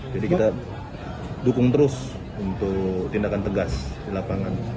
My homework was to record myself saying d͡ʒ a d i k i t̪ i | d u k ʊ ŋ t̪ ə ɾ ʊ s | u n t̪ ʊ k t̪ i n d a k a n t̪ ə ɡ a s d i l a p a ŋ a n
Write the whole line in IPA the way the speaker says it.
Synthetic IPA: d͡ʒ a d i k i t̪ a | d u k ʊ ŋ t̪ ə ɾ ʊ s | u n t̪ ʊ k t̪ i n d a k a n t̪ ə ɡ a s d i l a p a ŋ a n